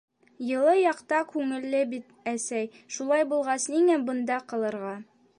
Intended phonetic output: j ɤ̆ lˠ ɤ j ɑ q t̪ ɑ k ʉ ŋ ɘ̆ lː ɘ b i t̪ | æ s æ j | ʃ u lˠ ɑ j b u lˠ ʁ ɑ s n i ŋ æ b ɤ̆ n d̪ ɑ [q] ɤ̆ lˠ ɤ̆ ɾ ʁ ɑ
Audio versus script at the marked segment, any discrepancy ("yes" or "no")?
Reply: no